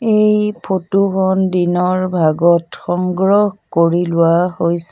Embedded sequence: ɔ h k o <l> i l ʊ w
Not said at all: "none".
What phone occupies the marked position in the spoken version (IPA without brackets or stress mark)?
ɹ